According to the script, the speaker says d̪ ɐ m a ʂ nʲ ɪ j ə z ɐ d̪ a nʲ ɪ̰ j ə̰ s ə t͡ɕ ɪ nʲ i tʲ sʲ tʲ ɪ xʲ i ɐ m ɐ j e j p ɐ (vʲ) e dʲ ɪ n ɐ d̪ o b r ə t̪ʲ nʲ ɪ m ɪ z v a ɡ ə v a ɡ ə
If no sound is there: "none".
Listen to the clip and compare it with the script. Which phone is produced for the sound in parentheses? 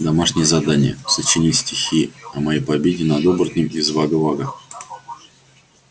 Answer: bʲ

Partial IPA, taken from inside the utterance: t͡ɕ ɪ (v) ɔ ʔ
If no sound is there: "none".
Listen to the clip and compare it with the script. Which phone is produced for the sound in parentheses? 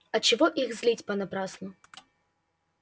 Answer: v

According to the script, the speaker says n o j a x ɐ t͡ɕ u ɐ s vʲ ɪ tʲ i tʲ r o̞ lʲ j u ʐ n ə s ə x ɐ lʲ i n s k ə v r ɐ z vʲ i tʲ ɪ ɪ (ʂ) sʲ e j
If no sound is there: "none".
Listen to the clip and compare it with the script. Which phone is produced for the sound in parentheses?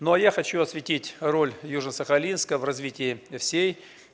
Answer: f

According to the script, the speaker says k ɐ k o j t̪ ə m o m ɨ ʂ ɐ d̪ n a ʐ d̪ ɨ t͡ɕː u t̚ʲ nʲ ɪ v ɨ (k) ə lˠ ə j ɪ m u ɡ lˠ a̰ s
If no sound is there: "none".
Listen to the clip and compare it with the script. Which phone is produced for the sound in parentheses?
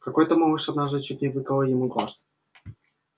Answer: k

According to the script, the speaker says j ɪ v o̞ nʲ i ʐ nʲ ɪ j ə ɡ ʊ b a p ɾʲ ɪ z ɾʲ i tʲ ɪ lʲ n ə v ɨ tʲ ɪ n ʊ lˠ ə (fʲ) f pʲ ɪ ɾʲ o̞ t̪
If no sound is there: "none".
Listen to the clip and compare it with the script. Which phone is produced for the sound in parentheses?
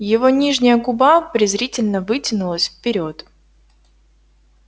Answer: sʲ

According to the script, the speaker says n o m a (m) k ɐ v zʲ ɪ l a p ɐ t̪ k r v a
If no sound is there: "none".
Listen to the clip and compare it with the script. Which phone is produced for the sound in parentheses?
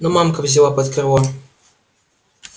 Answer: m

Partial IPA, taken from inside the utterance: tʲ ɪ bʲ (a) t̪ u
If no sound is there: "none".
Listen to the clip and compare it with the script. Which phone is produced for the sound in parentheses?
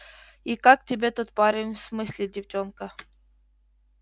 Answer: e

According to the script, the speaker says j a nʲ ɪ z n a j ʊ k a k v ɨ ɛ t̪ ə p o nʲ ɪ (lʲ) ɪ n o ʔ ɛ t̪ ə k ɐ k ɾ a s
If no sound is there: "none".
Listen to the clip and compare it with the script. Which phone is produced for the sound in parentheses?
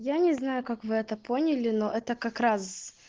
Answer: lʲ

